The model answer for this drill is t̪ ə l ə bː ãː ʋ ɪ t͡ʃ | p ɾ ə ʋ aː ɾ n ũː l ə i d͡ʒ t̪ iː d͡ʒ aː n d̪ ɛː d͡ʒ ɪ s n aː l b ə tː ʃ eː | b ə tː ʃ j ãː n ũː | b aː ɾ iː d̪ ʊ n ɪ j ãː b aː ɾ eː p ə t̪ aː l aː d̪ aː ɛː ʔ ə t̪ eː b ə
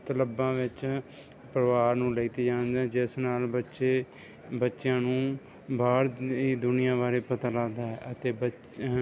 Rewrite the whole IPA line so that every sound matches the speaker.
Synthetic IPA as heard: t̪ ə l ə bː ãː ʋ ɪ t͡ʃ | p ɾ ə ʋ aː ɾ n ũː l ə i t̪ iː d͡ʒ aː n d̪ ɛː d͡ʒ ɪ s n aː l b ə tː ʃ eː | b ə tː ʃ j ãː n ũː | b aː ɾ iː d̪ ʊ n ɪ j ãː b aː ɾ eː p ə t̪ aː l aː d̪ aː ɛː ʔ ə t̪ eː b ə